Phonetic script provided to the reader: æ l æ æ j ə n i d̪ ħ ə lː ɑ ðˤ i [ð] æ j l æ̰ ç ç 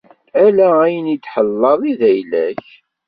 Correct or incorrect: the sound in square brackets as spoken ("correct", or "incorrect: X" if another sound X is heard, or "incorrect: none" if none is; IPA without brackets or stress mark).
correct